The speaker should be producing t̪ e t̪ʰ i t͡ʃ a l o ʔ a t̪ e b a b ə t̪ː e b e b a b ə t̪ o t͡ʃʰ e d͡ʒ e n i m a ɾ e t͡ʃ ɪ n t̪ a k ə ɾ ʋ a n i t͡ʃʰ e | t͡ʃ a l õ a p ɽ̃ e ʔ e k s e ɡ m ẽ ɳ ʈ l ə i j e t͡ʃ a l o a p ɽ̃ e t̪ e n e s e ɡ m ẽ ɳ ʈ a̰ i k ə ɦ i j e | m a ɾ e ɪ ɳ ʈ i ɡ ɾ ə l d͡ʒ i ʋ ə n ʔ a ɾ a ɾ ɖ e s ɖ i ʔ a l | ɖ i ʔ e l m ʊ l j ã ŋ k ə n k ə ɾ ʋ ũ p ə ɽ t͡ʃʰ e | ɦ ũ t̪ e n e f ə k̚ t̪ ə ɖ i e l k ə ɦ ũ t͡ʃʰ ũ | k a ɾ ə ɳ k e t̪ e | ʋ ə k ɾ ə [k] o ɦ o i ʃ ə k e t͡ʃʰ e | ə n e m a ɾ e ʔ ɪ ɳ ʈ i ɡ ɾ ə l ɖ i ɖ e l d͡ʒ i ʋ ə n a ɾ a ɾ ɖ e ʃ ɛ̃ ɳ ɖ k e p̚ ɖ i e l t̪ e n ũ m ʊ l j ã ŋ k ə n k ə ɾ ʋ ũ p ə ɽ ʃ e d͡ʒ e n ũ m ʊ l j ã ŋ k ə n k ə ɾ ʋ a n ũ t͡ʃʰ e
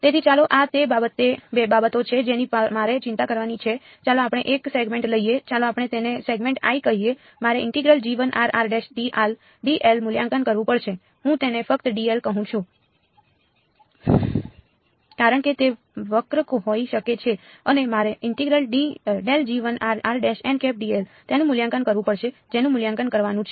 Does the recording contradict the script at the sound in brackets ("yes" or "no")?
no